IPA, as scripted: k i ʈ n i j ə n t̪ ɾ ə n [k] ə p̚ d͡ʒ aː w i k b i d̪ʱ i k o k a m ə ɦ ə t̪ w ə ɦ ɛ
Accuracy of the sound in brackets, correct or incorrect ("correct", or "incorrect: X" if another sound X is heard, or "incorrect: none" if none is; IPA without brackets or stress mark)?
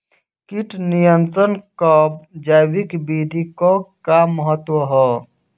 correct